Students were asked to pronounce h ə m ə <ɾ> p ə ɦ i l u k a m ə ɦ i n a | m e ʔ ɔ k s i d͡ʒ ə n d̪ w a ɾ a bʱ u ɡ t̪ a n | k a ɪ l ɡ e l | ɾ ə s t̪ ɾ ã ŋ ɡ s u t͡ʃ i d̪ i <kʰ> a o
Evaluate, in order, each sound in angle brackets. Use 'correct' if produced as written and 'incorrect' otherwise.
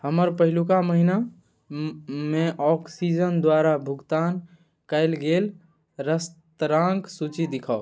correct, correct

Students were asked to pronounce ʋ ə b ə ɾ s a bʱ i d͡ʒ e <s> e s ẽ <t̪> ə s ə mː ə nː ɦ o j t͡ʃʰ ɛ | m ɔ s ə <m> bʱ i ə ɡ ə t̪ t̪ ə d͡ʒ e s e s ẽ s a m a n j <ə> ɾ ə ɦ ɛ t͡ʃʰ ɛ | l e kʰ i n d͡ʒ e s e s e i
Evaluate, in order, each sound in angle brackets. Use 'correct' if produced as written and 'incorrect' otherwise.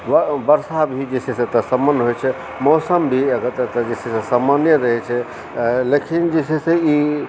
correct, correct, correct, correct

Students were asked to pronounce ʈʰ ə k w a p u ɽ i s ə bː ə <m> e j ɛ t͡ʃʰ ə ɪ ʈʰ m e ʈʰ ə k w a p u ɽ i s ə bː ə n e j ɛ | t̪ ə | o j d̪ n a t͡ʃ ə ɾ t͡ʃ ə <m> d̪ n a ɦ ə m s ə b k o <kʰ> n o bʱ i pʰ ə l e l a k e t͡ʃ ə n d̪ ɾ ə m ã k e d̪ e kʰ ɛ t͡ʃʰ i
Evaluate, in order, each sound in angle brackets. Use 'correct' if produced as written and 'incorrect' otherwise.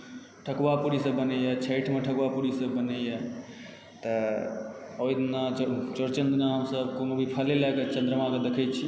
incorrect: n, incorrect: n, incorrect: none

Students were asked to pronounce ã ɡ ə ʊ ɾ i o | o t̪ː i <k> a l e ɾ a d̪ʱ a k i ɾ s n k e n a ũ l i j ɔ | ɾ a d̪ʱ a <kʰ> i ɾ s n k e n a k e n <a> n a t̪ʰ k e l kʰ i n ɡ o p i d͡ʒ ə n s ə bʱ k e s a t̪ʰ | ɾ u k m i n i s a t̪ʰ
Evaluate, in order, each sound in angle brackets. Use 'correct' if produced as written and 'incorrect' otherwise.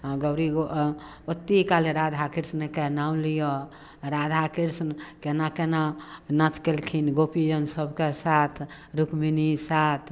correct, incorrect: k, correct

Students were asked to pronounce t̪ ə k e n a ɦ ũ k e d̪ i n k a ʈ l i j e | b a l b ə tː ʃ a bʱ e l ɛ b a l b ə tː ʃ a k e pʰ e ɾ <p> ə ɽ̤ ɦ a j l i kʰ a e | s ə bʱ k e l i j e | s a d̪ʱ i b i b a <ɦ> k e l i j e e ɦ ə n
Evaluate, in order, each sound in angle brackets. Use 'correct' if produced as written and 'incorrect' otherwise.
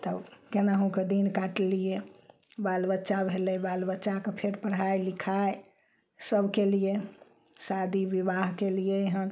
correct, correct

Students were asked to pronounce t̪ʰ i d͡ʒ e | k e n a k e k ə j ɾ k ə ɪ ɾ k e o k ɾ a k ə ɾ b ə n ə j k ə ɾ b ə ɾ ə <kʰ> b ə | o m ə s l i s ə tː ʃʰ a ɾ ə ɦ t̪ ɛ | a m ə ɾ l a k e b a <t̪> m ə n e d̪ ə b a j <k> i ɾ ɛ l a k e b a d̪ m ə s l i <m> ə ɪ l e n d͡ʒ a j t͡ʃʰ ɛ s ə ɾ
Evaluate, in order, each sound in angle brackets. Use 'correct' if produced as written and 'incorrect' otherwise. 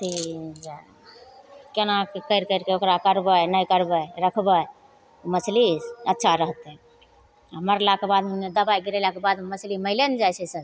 correct, incorrect: d̪, incorrect: ɡ, correct

